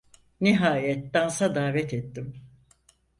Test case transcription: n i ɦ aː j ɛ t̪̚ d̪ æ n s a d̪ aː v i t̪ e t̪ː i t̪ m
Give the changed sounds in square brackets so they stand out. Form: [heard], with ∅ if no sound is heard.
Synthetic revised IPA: n i ɦ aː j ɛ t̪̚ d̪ [a] n s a d̪ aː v [ɛ] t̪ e t̪ː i [∅] m